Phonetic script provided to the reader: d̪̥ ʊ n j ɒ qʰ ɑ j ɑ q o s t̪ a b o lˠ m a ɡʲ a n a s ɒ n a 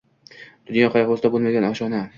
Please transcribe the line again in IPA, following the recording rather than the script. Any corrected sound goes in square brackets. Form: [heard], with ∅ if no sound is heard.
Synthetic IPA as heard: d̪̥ ʊ n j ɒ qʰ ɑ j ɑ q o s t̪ a b o lˠ m a ɡʲ a n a [ʃ] ɒ n a